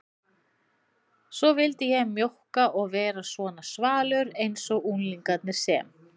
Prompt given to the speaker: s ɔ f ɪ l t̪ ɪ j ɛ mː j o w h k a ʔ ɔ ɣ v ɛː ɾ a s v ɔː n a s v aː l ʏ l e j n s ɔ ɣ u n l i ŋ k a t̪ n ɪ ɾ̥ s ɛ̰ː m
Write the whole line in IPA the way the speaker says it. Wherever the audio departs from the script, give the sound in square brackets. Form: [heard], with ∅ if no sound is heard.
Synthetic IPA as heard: s ɔ [v] ɪ l t̪ ɪ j ɛ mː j o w h k a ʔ ɔ ɣ v ɛː ɾ a s v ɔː n a s v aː l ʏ [ɾ] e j n s ɔ ɣ u n l i ŋ k a t̪ n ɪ ɾ̥ s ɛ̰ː m